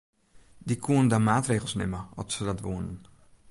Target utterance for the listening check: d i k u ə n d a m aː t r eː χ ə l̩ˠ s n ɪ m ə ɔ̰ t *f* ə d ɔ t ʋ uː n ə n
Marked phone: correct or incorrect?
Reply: incorrect